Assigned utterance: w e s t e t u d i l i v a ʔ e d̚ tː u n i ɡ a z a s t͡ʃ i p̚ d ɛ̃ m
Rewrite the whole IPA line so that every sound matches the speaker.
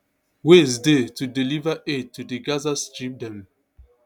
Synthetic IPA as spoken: w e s d e t u d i l i v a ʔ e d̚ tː u d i ɡ a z a s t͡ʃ i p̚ d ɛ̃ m